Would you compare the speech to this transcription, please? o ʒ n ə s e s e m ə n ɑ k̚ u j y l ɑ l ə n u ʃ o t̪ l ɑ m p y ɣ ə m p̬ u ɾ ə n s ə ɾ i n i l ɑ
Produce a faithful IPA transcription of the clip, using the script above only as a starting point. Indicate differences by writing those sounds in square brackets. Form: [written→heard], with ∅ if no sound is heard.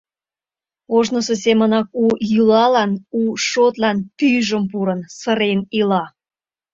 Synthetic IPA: o ʒ n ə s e s e m ə n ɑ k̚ u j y l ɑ l [ə→ɑ] n u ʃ o t̪ l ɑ [m→n] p y [ɣ→ʒ] ə m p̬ u ɾ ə n s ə ɾ [i→e] n i l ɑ